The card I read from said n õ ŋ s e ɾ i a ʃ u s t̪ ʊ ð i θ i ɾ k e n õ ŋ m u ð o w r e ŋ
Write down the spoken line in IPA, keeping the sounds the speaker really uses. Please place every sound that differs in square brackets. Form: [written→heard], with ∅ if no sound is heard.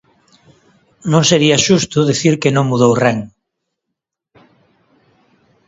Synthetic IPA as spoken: n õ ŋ s e ɾ i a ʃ u s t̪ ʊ ð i θ i ɾ k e n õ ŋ m u ð o w r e ŋ